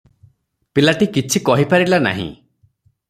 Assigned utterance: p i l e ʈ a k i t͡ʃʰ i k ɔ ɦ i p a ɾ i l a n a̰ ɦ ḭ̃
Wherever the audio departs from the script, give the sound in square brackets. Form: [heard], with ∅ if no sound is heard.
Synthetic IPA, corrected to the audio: p i l [a] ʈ [i] k i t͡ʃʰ i k ɔ ɦ i p a ɾ i l a n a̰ ɦ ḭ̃